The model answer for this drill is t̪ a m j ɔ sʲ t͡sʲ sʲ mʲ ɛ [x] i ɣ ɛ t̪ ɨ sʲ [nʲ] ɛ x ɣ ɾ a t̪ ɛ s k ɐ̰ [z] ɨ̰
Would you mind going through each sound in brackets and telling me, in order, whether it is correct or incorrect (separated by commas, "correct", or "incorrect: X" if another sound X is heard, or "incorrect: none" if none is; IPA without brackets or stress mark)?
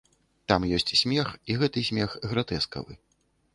correct, incorrect: mʲ, incorrect: v